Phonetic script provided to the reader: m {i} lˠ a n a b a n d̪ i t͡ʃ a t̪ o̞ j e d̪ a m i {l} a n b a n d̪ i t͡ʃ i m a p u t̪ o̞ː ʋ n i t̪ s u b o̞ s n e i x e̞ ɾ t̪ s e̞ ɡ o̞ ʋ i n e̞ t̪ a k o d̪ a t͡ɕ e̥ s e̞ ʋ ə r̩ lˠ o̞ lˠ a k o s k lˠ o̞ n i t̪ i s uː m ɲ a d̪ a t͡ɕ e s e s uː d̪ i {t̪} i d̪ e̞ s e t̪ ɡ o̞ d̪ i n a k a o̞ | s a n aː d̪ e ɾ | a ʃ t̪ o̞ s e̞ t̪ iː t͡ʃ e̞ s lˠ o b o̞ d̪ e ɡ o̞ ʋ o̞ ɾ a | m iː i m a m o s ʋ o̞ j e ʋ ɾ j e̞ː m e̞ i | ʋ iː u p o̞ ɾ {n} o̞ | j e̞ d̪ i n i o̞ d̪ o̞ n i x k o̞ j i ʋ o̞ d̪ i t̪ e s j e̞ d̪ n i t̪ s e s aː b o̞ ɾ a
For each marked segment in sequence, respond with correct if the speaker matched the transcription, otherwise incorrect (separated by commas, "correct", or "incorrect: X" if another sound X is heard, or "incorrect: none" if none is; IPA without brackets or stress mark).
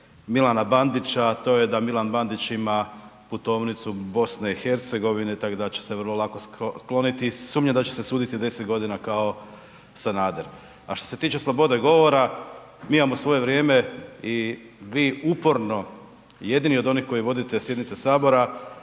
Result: correct, correct, correct, correct